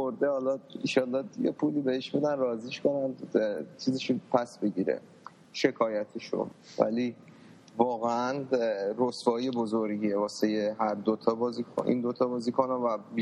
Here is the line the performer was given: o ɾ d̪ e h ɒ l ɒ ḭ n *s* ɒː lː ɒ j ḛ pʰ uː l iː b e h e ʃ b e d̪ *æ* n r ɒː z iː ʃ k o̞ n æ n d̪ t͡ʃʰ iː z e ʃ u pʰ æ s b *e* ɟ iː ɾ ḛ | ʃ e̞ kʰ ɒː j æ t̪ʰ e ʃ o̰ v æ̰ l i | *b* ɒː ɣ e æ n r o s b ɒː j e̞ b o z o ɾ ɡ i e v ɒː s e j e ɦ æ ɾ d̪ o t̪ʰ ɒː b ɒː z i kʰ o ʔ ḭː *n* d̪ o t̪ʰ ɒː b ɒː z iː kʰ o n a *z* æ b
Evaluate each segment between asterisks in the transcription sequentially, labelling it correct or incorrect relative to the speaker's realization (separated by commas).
incorrect, correct, correct, incorrect, correct, incorrect